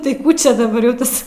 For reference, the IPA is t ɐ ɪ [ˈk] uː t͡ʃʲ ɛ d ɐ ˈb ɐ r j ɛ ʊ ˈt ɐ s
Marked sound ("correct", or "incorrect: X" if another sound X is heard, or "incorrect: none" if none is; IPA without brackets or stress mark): correct